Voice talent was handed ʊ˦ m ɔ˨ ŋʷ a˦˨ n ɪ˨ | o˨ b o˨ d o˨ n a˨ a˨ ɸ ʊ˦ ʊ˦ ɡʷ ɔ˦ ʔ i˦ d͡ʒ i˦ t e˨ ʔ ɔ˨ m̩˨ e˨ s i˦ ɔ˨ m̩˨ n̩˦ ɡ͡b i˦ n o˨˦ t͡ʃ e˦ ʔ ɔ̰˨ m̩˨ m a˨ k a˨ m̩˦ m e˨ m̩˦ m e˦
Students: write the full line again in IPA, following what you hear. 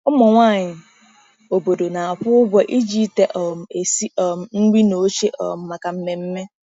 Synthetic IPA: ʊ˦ m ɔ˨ ŋʷ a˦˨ ɲ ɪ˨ | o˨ b o˨ d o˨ n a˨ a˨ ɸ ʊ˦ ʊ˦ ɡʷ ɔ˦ ʔ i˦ d͡ʒ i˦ t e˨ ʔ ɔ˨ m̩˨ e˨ s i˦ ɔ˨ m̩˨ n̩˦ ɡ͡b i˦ n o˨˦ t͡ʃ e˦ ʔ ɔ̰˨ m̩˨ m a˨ k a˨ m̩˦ m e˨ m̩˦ m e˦